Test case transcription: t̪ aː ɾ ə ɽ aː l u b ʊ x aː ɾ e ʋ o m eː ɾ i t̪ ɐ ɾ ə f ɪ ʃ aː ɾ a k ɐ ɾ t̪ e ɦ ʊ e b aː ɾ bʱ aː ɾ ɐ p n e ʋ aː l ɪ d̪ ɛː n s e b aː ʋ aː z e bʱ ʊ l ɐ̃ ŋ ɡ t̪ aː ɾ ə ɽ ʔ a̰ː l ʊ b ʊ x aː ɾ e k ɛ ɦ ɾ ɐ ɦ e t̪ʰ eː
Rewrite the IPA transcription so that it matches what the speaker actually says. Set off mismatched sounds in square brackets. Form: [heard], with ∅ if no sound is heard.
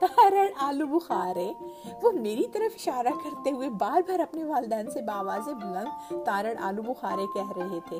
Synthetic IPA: t̪ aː ɾ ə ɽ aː l u b ʊ x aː ɾ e ʋ o m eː ɾ i t̪ ɐ ɾ ə f ɪ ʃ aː ɾ a k ɐ ɾ t̪ e ɦ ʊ e b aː ɾ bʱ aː ɾ ɐ p n e ʋ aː l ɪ d̪ ɛː n s e b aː ʋ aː z e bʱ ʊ l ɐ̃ ŋ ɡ t̪ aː ɾ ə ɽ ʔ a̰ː l [u] b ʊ x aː ɾ e k ɛ ɦ ɾ ɐ ɦ e t̪ʰ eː